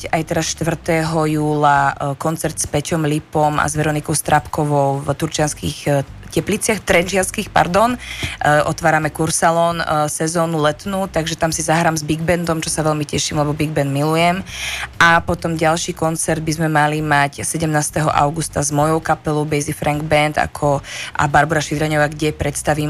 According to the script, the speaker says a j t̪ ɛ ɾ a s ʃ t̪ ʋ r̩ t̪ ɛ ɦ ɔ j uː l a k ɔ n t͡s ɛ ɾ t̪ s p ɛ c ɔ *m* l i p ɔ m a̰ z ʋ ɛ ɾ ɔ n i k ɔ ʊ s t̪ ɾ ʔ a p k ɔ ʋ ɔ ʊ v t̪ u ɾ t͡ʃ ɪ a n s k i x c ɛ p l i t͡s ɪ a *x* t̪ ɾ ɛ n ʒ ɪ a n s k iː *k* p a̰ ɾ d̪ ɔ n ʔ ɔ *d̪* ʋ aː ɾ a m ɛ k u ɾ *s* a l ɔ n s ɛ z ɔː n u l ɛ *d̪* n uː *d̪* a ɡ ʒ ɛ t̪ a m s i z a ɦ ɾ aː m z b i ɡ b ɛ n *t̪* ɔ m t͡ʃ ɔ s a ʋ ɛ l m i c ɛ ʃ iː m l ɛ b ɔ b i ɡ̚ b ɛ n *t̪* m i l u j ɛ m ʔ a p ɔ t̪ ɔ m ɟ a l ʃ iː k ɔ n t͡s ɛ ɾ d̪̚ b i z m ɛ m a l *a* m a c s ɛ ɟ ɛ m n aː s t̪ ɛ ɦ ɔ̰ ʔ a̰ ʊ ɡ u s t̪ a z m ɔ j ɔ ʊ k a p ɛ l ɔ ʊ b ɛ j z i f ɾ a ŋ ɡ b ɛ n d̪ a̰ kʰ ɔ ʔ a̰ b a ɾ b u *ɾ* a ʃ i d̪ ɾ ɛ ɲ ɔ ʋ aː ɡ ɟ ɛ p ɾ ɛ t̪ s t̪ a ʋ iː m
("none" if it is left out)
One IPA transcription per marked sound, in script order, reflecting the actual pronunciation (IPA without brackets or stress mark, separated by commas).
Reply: m, x, x, t̪, s, t̪, t̪, d̪, d̪, i, ɾ